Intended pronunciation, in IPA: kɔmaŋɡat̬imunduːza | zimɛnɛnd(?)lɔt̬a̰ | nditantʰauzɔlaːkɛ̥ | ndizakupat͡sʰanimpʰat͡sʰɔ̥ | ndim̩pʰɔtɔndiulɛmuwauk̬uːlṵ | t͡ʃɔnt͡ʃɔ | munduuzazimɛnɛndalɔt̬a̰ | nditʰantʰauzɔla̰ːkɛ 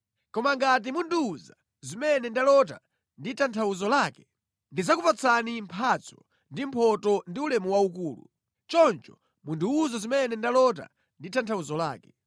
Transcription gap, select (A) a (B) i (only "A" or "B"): A